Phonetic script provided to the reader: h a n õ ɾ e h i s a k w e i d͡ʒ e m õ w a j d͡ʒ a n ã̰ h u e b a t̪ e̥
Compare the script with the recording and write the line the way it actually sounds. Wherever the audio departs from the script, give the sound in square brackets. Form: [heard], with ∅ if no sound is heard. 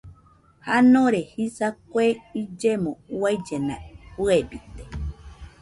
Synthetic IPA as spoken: h a n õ ɾ e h i s a k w e i d͡ʒ e m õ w a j d͡ʒ [e] n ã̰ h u e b [i] t̪ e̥